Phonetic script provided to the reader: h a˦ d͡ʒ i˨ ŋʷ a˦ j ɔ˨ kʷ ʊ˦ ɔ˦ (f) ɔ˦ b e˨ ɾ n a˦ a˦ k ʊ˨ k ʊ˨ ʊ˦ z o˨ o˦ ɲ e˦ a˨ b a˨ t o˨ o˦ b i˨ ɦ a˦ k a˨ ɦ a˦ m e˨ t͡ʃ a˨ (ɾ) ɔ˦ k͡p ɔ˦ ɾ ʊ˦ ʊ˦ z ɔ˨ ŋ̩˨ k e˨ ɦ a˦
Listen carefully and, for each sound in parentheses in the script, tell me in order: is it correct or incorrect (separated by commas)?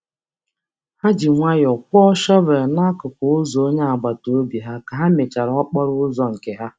incorrect, correct